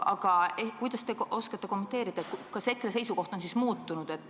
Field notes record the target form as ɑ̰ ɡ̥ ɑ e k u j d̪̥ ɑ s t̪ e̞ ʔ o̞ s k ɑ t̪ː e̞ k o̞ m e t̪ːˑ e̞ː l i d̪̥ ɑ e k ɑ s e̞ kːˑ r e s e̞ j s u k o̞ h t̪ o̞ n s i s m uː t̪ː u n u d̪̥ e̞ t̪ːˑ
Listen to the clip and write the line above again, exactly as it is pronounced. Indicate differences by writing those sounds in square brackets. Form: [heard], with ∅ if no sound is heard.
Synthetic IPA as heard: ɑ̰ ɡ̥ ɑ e k u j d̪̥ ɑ s t̪ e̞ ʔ o̞ s k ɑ t̪ː e̞ k o̞ m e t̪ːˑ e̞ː [ɾ] i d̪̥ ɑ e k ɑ s e̞ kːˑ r e s e̞ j s u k o̞ h t̪ o̞ n s i s m uː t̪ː u n u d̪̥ e̞ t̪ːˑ